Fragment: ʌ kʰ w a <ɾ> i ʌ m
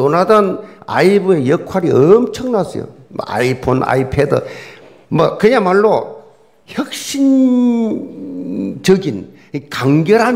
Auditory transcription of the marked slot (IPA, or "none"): ɾ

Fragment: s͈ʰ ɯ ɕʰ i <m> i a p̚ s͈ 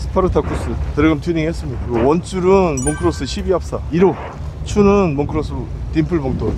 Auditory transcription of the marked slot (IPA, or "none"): b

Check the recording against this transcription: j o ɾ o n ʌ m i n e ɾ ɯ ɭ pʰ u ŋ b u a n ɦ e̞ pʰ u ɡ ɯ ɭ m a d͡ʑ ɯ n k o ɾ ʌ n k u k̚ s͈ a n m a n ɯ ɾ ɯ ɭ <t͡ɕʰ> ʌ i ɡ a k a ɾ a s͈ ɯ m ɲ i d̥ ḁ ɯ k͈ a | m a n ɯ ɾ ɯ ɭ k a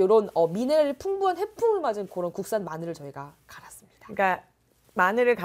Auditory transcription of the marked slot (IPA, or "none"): t͡ɕ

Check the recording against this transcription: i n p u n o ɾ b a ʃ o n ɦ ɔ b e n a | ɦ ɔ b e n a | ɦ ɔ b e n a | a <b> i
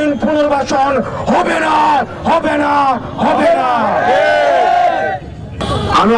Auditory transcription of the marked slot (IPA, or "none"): m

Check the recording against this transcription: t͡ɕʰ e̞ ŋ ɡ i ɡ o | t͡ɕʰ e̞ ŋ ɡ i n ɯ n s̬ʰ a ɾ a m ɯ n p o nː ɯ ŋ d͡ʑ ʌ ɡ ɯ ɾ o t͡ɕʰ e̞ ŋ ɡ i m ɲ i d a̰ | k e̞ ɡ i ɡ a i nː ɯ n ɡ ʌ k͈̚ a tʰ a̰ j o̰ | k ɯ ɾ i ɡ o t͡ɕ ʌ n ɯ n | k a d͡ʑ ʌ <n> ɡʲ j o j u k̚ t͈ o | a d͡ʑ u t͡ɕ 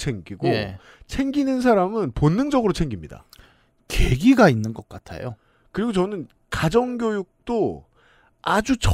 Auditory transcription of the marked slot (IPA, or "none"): ŋ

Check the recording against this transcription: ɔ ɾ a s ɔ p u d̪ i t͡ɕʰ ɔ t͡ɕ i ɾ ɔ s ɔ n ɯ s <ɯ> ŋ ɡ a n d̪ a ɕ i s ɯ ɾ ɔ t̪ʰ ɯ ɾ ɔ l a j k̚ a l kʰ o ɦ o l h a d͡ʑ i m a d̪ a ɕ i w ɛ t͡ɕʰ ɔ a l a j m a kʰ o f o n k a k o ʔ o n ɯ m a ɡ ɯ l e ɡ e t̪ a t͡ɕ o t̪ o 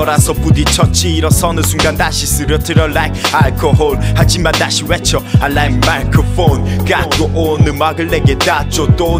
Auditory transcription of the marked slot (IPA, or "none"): u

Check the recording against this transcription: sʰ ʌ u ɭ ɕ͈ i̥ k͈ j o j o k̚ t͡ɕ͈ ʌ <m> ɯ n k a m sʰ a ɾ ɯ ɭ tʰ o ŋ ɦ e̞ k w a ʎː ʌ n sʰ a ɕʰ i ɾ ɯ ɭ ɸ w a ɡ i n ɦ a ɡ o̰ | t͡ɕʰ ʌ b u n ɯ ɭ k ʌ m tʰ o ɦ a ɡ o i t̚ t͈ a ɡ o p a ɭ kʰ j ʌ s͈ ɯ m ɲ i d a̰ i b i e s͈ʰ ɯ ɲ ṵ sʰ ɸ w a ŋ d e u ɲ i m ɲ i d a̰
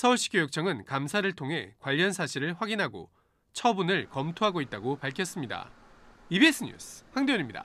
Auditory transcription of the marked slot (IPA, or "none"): ŋ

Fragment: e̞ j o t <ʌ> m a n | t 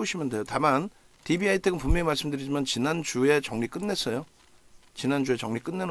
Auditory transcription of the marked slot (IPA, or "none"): a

